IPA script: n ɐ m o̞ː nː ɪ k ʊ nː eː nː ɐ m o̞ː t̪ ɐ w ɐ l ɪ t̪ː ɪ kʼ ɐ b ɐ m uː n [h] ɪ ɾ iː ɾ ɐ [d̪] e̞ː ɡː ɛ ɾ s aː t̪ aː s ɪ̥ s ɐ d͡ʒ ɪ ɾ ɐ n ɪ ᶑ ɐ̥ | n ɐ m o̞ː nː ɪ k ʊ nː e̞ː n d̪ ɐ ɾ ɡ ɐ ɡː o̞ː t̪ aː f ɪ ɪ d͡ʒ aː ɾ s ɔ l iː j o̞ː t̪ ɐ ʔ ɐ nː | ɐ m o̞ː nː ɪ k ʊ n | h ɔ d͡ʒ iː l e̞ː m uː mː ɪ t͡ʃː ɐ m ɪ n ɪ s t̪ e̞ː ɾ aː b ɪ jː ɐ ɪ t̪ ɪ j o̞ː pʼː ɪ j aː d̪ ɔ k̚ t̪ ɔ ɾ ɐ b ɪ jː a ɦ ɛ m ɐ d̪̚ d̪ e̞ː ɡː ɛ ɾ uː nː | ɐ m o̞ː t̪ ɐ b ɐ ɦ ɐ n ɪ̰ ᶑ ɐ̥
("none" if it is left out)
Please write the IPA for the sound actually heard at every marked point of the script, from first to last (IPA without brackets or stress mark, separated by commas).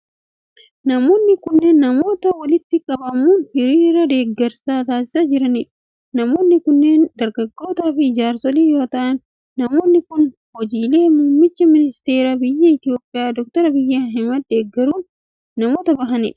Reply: h, d̪